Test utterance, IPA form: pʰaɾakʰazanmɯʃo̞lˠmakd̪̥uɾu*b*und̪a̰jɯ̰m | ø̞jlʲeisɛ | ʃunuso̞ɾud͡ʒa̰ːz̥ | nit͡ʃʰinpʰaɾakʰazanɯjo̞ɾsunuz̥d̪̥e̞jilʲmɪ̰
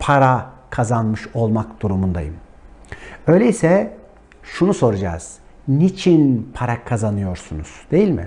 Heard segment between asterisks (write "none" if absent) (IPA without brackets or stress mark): m